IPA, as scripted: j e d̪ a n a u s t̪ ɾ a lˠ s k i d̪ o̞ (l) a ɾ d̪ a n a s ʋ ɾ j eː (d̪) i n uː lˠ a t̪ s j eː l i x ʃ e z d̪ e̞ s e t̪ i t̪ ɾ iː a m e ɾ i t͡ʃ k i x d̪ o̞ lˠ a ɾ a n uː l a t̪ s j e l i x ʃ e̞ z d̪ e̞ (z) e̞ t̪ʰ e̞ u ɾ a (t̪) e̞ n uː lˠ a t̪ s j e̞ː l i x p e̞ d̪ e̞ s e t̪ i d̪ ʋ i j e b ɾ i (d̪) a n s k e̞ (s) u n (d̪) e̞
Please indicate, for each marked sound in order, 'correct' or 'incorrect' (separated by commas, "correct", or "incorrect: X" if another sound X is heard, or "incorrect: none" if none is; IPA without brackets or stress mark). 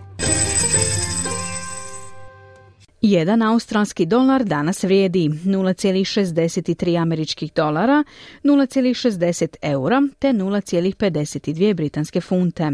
correct, correct, incorrect: s, correct, incorrect: t̪, incorrect: f, incorrect: t̪